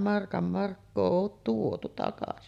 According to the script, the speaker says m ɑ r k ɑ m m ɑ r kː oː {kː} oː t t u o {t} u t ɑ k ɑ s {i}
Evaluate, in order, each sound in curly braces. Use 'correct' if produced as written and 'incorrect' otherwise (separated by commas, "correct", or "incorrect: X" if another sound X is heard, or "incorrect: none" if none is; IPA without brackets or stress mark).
incorrect: none, correct, correct